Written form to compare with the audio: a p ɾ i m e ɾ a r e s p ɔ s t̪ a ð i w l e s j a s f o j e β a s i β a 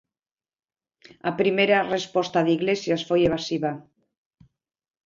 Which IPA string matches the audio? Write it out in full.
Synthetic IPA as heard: a p ɾ i m e ɾ a r e s p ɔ s t̪ a ð i ɣ l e s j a s f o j e β a s i β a